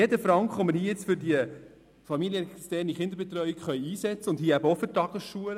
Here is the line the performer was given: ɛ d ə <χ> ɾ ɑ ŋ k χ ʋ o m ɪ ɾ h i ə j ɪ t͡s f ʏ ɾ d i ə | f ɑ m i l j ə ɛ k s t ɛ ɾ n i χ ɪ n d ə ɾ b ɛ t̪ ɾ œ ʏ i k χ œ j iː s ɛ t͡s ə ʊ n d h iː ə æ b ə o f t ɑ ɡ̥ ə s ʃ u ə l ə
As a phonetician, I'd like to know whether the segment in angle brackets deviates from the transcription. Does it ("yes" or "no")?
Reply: yes